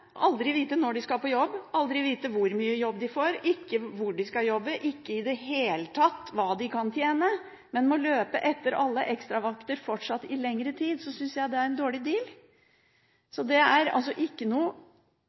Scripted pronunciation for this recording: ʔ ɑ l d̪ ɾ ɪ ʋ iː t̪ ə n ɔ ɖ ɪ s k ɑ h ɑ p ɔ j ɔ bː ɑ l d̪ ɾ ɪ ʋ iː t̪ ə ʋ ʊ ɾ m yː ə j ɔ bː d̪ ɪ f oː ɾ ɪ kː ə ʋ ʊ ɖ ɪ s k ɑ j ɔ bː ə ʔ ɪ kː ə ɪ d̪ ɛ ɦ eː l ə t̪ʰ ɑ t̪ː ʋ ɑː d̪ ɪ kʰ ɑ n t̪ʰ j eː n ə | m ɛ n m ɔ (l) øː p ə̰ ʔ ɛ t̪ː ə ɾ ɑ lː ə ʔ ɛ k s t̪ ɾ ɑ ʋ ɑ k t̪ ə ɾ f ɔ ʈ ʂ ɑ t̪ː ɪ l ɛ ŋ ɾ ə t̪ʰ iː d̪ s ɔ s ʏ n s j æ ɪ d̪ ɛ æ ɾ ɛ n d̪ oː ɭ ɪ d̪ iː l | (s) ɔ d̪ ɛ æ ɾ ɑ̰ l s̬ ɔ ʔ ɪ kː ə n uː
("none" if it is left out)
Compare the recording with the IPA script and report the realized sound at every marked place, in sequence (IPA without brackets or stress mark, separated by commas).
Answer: l, s